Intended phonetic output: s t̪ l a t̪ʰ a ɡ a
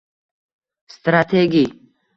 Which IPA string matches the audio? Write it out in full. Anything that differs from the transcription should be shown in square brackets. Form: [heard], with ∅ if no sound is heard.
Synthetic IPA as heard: s t̪ [ɾ] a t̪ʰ [e] ɡ [i]